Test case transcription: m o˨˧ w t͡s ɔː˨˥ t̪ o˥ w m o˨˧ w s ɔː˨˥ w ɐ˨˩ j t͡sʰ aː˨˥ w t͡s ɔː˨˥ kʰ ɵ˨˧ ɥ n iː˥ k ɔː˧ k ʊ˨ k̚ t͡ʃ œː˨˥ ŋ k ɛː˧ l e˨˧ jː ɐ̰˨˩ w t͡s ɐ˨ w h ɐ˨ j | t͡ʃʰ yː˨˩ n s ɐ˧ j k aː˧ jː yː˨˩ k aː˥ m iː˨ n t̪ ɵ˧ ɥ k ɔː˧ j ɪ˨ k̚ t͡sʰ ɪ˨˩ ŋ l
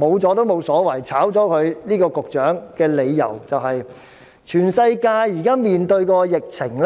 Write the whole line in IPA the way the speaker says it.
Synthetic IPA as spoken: m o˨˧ w t͡s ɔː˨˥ t̪ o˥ w m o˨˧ w s ɔː˨˥ w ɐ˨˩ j t͡sʰ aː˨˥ w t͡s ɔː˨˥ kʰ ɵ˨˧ ɥ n iː˥ k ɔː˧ k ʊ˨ k̚ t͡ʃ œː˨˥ ŋ k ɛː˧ l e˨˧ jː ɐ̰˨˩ w t͡s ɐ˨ w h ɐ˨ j | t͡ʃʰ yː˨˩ n s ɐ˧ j k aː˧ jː iː˨˩ k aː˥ m iː˨ n t̪ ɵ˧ ɥ k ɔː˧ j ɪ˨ k̚ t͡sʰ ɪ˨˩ ŋ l